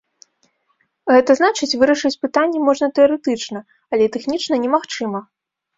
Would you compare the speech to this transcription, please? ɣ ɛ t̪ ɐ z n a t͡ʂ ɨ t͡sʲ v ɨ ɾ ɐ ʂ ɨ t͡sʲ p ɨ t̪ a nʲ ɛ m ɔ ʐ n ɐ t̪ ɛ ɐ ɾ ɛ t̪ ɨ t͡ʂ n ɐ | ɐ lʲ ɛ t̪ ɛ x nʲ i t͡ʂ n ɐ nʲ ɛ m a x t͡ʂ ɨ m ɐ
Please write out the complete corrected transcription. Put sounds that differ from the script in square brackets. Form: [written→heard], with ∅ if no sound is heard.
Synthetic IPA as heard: ɣ ɛ t̪ ɐ z n a t͡ʂ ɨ t͡sʲ v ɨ ɾ ɐ ʂ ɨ t͡sʲ p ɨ t̪ a [nʲ→nʲː] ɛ m ɔ ʐ n ɐ t̪ ɛ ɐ ɾ ɛ t̪ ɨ t͡ʂ n ɐ | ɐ lʲ ɛ t̪ ɛ x nʲ i t͡ʂ n ɐ nʲ ɛ m a x t͡ʂ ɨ m ɐ

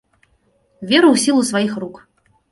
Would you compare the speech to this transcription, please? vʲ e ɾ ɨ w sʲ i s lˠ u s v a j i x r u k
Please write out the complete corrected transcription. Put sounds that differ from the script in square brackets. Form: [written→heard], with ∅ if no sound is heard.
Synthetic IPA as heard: vʲ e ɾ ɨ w sʲ i [s→∅] lˠ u s v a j i x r u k

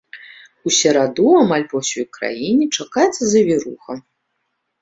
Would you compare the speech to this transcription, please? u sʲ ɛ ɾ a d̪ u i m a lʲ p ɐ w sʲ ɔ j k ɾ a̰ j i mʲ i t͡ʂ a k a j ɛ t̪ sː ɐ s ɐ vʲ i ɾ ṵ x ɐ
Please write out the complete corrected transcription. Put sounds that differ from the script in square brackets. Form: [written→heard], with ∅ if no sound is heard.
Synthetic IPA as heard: u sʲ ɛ ɾ a d̪ u [i→a] m a lʲ p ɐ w sʲ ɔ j k ɾ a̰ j i [mʲ→nʲ] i t͡ʂ a k a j ɛ t̪ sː ɐ [s→z] ɐ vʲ i ɾ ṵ x ɐ

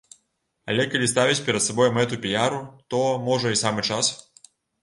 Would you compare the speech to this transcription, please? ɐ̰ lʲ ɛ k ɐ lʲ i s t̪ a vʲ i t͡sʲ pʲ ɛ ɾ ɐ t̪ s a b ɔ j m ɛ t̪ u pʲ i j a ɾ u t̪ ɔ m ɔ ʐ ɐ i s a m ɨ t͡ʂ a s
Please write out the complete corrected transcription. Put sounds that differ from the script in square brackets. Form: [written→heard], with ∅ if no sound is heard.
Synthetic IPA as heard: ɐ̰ lʲ ɛ k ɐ lʲ i s t̪ a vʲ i t͡sʲ pʲ ɛ ɾ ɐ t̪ s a b ɔ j m ɛ t̪ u pʲ i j a ɾ u t̪ ɔ m ɔ ʐ ɐ i s a m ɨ t͡ʂ a s

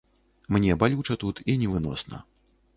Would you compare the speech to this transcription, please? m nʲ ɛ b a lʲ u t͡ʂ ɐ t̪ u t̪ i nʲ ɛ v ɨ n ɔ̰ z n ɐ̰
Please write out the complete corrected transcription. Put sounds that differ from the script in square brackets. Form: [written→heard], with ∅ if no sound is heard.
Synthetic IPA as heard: m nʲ ɛ b a lʲ u t͡ʂ ɐ t̪ u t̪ i nʲ ɛ v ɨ n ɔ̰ [z→s] n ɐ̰

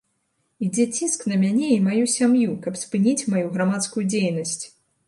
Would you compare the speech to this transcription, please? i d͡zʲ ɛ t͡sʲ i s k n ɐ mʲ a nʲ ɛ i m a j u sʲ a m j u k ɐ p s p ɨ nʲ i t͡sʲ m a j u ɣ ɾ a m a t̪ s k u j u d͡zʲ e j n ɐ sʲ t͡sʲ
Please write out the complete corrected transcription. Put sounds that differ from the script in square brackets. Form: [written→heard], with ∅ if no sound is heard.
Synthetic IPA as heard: i d͡zʲ ɛ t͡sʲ i s k n ɐ mʲ a nʲ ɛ i m a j u sʲ a m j u k ɐ p s p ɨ nʲ i t͡sʲ m a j u ɣ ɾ a m a t̪ s k u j u d͡zʲ e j n ɐ sʲ t͡sʲ

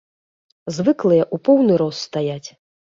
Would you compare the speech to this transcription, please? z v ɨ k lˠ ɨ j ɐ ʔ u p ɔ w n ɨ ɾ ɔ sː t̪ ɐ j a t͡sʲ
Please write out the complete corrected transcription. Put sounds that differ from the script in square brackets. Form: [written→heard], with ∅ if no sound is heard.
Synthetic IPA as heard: z v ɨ k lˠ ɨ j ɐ ʔ u p ɔ w n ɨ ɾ ɔ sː t̪ [ɐ→a] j a t͡sʲ

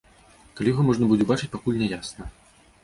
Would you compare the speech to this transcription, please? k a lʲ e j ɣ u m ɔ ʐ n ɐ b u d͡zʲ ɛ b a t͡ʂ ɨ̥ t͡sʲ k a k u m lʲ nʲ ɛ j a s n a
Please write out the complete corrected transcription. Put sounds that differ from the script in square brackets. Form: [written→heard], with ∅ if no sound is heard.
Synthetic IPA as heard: k a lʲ [e→i] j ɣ [u→ɔ] m ɔ ʐ n ɐ b u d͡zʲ ɛ b a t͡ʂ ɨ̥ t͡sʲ [k→p] a k u [m→∅] lʲ nʲ ɛ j a s n [a→ɐ]

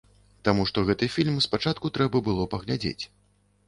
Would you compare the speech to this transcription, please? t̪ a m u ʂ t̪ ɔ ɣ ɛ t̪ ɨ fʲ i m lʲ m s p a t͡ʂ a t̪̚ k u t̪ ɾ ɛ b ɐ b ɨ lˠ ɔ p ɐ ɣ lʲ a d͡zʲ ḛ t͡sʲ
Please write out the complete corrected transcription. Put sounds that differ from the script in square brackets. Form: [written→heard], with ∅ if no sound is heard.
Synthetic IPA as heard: t̪ a m u ʂ t̪ ɔ ɣ ɛ t̪ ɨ fʲ i [m→∅] lʲ m s p a t͡ʂ a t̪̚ k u t̪ ɾ ɛ b ɐ b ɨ lˠ ɔ p ɐ ɣ lʲ a d͡zʲ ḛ t͡sʲ

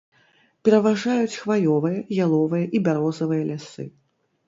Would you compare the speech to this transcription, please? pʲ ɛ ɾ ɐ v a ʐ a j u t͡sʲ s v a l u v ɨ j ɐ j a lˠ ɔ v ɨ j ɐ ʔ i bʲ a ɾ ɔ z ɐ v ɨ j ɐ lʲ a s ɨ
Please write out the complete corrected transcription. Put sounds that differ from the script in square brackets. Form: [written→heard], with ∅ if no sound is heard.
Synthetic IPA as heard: pʲ ɛ ɾ ɐ v a ʐ a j u t͡sʲ [s→x] v a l [u→ɔ] v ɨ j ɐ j a lˠ ɔ v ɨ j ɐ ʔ i bʲ a ɾ ɔ z ɐ v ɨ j ɐ lʲ a s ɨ

